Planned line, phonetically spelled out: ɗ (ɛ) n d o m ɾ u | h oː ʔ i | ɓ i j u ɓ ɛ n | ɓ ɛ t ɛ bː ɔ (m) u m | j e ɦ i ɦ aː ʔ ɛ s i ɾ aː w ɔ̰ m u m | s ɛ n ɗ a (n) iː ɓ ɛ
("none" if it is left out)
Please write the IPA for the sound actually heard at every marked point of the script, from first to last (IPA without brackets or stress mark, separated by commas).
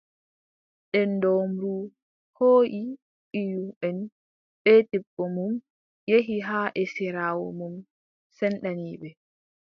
ɛ, m, n